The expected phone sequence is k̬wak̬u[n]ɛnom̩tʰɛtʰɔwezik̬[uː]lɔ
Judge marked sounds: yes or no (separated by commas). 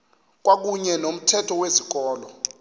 no, no